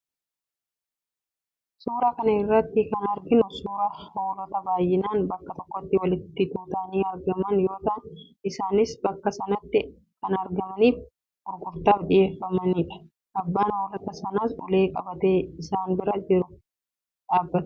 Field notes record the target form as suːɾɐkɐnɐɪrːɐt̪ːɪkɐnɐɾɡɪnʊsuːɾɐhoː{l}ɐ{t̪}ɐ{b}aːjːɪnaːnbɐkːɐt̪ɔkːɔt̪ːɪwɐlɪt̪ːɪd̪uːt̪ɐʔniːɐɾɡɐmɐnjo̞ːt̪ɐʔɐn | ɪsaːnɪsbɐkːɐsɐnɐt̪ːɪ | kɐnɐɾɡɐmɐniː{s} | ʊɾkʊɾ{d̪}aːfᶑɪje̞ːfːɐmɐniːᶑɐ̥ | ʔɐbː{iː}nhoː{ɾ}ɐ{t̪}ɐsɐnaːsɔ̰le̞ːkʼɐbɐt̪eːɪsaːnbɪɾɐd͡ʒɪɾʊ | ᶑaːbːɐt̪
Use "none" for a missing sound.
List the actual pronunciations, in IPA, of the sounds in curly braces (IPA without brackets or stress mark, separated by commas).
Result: l, t̪, b, f, t̪, aː, l, t̪